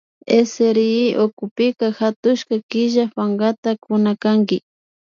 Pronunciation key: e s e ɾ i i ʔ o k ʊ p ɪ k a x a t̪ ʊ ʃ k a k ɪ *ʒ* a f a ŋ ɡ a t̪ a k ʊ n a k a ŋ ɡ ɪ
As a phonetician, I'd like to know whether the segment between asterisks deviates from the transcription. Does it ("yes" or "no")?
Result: no